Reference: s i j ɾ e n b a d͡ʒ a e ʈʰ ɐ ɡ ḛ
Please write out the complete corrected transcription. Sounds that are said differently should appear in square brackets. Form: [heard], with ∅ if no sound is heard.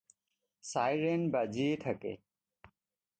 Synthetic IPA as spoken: s [a] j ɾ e n b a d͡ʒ [i] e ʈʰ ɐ [k] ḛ

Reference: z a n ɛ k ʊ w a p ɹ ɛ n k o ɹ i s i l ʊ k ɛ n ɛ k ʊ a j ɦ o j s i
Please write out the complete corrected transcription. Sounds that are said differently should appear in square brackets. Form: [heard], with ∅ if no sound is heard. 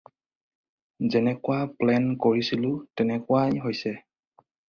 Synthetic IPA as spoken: z [ɛ] n ɛ k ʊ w a p [l] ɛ n k o ɹ i s i l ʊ [t] ɛ n ɛ k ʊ a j ɦ o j s [ɛ]

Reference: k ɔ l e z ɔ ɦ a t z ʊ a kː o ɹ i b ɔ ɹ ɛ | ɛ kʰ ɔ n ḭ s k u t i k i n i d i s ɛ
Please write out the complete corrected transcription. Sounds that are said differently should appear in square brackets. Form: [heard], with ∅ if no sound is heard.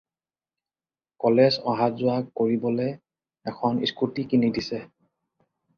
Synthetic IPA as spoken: k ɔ l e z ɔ ɦ a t z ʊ a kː o ɹ i b ɔ [l] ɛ | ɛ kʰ ɔ n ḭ s k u t i k i n i d i s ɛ

